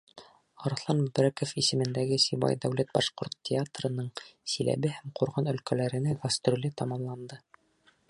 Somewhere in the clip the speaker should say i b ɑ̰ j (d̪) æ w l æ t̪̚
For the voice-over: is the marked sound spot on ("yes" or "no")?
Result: yes